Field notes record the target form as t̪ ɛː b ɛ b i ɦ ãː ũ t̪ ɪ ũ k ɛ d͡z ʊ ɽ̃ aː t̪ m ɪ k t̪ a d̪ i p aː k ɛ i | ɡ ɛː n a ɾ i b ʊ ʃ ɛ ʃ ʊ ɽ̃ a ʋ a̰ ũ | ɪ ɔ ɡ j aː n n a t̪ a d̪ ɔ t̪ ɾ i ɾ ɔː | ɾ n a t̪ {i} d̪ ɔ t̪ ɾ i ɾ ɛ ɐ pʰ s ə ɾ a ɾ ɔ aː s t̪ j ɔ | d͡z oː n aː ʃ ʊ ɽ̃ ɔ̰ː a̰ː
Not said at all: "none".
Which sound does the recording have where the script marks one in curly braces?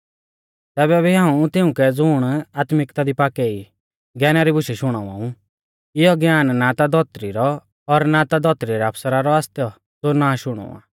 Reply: a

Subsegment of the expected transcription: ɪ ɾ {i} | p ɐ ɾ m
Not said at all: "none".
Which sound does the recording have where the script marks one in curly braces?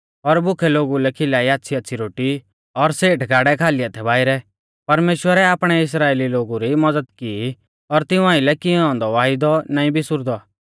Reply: ɛ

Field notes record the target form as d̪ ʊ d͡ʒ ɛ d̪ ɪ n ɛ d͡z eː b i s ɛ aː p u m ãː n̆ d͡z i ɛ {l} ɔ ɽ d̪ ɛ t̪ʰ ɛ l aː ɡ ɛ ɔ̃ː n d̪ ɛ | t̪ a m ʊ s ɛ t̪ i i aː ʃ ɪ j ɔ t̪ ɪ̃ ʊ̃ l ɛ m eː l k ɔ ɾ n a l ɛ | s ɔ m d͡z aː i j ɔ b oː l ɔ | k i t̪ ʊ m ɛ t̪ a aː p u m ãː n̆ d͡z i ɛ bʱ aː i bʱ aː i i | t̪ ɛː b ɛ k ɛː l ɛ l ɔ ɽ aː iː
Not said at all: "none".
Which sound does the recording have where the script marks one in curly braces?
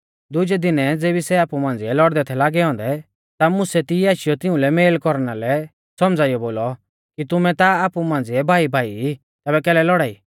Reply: l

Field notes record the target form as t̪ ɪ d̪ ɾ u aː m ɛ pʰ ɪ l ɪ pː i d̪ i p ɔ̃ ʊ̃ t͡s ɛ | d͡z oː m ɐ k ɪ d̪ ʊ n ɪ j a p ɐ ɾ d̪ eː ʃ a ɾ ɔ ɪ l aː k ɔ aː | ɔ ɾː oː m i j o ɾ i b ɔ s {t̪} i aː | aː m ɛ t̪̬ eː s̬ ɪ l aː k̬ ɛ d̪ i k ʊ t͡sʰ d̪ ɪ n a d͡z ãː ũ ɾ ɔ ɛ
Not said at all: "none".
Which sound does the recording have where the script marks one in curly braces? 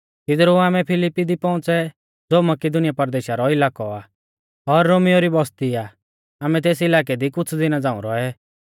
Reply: t̪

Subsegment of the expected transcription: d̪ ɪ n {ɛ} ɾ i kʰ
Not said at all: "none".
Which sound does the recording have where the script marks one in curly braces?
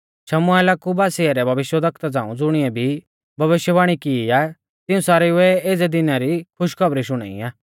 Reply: a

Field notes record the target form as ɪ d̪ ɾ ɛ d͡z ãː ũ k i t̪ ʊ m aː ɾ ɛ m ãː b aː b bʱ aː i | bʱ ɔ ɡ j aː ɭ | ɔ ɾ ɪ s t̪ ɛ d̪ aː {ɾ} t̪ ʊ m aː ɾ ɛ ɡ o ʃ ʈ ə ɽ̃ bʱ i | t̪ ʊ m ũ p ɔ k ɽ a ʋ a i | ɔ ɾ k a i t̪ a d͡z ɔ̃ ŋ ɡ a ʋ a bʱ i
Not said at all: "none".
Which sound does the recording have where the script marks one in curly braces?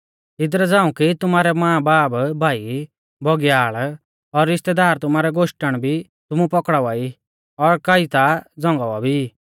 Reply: ɾ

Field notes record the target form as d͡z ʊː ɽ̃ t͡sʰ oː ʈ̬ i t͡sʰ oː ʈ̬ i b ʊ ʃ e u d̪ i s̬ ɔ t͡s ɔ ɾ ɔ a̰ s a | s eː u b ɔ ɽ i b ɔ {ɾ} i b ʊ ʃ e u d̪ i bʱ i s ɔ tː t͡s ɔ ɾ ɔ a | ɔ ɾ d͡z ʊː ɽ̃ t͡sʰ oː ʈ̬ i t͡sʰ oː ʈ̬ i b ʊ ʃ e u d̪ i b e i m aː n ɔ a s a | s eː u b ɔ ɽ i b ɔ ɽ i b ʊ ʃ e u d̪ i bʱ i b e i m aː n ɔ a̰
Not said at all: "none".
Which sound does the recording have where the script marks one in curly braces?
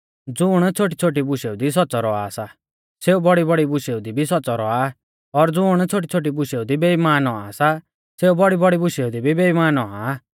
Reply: ɽ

